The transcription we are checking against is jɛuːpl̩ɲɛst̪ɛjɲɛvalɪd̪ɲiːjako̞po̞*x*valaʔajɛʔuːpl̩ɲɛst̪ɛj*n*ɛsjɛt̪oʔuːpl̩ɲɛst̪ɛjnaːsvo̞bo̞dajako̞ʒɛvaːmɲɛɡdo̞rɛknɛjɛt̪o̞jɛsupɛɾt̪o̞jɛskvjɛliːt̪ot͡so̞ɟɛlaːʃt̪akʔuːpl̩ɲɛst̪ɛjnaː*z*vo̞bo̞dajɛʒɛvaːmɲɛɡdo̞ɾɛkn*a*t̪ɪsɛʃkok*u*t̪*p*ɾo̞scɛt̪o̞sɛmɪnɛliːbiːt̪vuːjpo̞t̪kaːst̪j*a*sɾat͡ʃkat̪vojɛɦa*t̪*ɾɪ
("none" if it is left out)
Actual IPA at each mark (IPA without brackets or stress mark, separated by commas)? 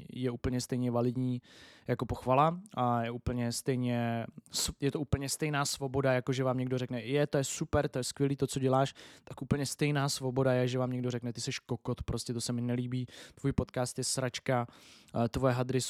x, ɲ, s, ɛ, o, p, ɛ, d̪